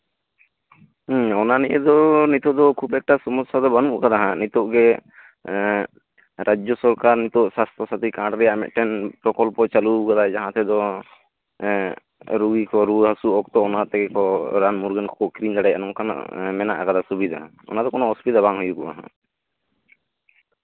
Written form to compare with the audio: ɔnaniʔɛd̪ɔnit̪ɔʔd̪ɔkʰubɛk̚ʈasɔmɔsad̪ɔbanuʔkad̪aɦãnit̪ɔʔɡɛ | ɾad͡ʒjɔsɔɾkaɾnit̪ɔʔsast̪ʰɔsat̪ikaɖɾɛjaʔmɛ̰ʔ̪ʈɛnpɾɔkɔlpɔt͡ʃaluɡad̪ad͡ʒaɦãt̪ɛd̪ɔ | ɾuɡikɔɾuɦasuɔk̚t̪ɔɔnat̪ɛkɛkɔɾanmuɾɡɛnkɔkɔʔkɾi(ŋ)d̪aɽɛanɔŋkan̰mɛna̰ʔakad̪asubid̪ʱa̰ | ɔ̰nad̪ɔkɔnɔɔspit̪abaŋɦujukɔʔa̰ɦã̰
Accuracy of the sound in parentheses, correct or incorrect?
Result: incorrect